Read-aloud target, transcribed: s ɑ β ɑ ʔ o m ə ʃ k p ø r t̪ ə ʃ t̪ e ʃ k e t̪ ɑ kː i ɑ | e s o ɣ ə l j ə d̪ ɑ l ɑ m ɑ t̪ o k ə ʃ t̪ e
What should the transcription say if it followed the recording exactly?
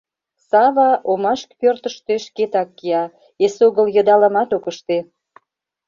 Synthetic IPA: s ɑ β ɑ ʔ o m ɑ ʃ k p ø r t̪ ə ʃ t̪ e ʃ k e t̪ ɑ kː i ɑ | e s o ɣ ə l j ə d̪ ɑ l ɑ m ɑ t̪ o k ə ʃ t̪ e